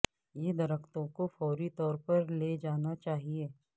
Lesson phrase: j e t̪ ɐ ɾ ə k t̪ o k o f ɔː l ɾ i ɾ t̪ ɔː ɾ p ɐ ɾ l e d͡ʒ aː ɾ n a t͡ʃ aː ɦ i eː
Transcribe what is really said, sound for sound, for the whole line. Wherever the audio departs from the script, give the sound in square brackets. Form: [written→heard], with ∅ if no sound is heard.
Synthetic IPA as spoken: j e [t̪→d̪] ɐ ɾ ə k t̪ [o→õ] k o f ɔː [l→∅] ɾ i [ɾ→∅] t̪ ɔː ɾ p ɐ ɾ l e d͡ʒ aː [ɾ→∅] n a t͡ʃ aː ɦ i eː